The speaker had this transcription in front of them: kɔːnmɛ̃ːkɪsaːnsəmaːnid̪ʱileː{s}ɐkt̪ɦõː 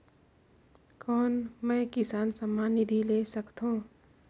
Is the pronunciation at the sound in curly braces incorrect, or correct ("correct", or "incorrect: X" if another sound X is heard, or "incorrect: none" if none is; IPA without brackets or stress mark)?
correct